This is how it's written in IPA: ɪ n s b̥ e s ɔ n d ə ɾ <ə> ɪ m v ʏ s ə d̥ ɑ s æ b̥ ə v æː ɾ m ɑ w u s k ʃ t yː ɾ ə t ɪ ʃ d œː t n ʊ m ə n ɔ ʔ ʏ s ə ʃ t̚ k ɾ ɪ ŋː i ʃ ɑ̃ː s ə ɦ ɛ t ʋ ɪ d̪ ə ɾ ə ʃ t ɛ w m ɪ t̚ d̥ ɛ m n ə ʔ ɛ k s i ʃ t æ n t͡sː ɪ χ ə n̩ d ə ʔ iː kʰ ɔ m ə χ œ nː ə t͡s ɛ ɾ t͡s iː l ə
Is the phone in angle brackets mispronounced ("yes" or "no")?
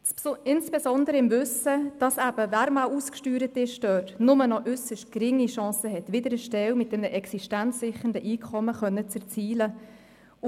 no